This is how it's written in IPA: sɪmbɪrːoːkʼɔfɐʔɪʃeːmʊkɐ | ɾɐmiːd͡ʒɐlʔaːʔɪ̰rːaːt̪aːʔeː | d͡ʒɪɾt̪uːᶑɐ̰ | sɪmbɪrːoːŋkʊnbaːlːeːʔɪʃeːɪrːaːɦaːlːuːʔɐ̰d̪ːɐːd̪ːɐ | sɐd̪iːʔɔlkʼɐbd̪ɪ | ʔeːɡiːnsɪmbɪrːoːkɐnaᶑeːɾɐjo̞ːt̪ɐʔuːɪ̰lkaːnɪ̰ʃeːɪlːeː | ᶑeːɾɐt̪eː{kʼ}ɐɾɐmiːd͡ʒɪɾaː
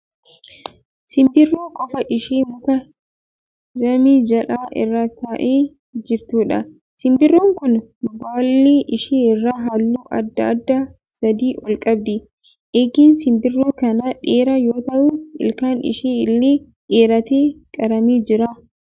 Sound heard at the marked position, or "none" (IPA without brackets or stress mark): kʼ